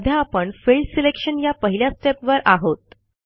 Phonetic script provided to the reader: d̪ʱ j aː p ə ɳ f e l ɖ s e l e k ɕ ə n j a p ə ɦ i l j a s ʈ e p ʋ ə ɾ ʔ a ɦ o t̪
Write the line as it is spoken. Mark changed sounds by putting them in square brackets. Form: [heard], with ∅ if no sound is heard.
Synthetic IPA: d̪ʱ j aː p ə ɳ f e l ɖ s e l e k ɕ ə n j a p ə ɦ i l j a s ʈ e p ʋ ə ɾ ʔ a ɦ o t̪